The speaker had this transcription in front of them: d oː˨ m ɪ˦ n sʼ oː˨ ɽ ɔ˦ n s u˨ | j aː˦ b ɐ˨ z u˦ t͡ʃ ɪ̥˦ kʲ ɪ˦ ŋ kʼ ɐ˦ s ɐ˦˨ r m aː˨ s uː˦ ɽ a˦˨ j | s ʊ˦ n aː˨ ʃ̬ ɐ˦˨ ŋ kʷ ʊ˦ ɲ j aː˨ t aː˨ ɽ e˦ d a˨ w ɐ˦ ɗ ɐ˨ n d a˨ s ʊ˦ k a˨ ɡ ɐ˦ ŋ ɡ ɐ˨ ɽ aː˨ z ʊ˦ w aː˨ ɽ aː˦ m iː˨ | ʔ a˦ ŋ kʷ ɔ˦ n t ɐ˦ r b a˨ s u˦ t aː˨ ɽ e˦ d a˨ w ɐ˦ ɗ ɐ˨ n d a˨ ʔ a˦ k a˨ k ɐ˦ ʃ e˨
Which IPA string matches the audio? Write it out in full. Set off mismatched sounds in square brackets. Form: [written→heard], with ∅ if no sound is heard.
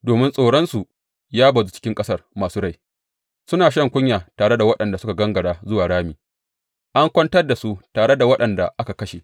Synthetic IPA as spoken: d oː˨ m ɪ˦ n sʼ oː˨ ɽ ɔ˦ n s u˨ | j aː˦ b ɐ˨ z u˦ t͡ʃ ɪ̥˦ kʲ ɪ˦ ŋ kʼ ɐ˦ s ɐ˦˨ r m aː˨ s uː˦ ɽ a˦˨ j | s ʊ˦ n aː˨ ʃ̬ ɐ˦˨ ŋ kʷ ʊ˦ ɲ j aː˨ t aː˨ ɽ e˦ d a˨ w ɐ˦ ɗ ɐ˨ n d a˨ s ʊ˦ k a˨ ɡ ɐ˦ ŋ ɡ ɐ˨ ɽ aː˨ z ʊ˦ w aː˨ ɽ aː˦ m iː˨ | ʔ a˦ ŋ kʷ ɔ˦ n t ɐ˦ r [b→d] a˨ s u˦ t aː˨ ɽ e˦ d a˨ w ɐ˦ ɗ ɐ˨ n d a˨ ʔ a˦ k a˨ k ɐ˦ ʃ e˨